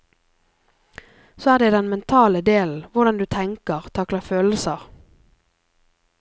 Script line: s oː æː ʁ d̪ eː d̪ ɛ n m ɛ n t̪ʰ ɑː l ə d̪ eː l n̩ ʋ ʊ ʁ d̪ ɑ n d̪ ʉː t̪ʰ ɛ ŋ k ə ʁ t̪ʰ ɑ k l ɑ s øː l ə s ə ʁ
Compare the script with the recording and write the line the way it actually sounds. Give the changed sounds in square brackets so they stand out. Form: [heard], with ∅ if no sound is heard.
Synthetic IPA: s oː æː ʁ d̪ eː d̪ ɛ n m ɛ n t̪ʰ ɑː l ə d̪ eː l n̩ ʋ ʊ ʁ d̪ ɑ n d̪ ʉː t̪ʰ ɛ ŋ k ə ʁ t̪ʰ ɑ k l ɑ [f] øː l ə s ə ʁ

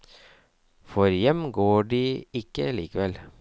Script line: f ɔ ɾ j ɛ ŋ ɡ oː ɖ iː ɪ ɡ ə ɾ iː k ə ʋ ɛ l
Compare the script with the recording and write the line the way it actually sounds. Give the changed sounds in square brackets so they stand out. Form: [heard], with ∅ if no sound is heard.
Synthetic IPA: f ɔ ɾ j ɛ [m] ɡ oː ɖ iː ɪ [k] ə [l] iː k ə ʋ ɛ l

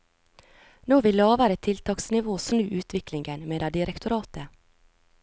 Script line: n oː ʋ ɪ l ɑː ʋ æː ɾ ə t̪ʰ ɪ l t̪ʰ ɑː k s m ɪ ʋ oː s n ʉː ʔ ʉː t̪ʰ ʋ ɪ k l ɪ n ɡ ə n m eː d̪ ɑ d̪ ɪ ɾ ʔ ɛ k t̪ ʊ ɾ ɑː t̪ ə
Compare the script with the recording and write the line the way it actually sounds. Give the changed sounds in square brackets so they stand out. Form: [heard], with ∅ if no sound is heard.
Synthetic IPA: n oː ʋ ɪ l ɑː ʋ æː ɾ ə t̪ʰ ɪ l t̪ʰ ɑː k s [n] ɪ ʋ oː s n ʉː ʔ ʉː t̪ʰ ʋ ɪ k l ɪ [ŋ] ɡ ə n m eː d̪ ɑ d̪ ɪ ɾ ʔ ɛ k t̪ ʊ ɾ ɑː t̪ ə

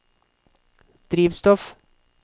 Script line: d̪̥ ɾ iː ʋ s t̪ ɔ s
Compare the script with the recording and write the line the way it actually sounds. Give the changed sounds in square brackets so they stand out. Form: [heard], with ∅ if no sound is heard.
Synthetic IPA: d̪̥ ɾ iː ʋ s t̪ ɔ [f]

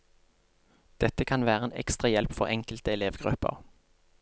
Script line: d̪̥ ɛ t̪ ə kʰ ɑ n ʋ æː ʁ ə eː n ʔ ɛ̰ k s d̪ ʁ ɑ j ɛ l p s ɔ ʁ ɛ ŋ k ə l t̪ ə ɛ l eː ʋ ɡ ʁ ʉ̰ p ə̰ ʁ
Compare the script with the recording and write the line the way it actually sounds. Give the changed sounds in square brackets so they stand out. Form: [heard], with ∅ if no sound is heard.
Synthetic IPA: d̪̥ ɛ t̪ ə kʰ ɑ n ʋ æː ʁ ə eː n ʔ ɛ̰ k s [t̪] ʁ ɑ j ɛ l p [f] ɔ ʁ ɛ ŋ k ə l t̪ ə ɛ l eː ʋ ɡ ʁ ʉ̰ p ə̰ ʁ

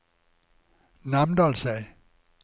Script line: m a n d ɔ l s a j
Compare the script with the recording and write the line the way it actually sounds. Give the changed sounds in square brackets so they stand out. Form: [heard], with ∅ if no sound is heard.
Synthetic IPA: [n] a [m] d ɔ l s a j

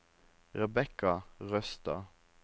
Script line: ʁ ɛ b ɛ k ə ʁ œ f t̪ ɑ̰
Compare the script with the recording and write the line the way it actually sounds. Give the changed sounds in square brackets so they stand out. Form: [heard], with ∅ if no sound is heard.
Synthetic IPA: ʁ ɛ b ɛ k [ɑ] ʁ œ [s] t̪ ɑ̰

